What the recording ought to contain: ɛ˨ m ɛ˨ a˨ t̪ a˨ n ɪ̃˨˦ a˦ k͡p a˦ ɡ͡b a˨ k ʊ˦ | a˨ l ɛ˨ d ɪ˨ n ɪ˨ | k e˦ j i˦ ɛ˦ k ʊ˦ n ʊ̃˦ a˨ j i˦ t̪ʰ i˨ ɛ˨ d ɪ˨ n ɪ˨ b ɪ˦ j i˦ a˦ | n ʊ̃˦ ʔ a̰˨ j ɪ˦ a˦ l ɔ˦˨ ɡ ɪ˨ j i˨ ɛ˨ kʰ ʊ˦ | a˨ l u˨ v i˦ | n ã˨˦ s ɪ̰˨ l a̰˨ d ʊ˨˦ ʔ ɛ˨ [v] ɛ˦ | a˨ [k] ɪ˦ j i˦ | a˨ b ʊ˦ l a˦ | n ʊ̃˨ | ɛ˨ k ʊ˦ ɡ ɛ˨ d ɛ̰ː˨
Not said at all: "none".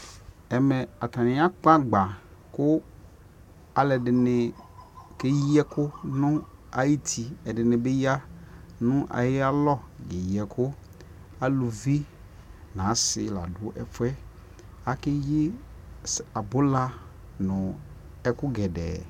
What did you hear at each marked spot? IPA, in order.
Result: f, k

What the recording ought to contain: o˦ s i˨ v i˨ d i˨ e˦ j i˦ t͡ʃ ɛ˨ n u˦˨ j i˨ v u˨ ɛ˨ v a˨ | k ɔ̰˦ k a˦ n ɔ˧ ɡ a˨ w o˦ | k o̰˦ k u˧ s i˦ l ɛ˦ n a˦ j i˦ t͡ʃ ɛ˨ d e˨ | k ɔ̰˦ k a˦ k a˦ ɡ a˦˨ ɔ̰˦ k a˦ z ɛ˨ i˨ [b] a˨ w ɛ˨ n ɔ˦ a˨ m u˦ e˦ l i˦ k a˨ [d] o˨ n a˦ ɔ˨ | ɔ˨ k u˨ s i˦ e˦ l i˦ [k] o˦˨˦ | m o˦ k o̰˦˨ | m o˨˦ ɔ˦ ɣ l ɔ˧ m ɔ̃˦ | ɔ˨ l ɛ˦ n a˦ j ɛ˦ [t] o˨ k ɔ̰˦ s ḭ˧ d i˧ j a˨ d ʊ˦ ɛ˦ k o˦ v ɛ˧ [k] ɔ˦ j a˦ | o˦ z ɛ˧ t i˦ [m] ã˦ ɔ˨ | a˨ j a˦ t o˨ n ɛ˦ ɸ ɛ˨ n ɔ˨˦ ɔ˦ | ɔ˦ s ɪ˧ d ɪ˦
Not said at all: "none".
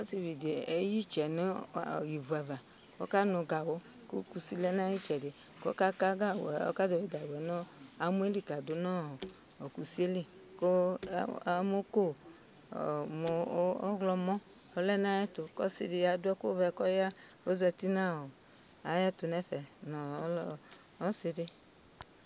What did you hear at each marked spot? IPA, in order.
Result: ɡ, d, k, t, k, n

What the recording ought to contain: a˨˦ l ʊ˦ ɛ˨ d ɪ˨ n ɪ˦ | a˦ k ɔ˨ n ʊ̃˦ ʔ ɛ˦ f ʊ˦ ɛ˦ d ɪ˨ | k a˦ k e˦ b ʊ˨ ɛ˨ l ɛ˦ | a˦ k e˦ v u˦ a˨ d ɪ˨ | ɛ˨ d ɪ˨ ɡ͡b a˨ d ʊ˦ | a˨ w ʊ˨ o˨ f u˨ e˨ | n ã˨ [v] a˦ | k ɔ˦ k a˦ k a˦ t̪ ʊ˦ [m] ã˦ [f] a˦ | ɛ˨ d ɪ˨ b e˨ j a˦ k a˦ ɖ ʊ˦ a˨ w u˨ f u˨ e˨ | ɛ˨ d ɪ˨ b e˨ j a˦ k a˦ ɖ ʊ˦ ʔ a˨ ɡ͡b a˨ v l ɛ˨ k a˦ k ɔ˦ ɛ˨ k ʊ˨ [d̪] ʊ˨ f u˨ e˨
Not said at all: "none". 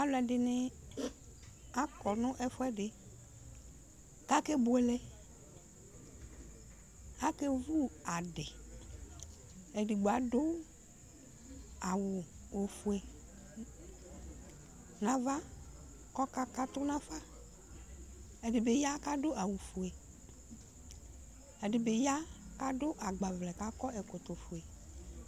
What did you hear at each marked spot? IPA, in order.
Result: v, n, f, t̪

